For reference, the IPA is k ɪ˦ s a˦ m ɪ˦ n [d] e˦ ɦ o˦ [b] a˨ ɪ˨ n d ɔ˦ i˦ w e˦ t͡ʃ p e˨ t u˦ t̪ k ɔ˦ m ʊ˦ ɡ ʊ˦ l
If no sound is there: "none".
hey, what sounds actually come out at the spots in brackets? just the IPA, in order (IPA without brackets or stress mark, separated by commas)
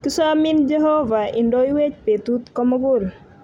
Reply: d͡ʒ, v